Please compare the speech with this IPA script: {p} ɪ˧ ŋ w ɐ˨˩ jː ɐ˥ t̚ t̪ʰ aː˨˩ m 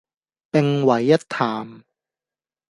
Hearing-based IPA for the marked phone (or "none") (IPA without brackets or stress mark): p